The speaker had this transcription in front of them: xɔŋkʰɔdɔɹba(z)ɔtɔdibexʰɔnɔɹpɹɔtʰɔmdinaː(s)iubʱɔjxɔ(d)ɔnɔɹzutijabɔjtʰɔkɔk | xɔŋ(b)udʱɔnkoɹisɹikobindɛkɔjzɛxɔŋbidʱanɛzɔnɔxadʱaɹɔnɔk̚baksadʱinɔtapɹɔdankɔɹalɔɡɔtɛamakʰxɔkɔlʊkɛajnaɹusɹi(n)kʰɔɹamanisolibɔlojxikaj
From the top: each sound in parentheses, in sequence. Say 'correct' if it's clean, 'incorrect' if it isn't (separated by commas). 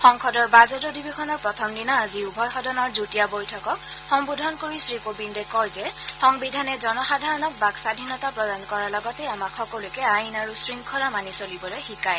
correct, incorrect, correct, correct, incorrect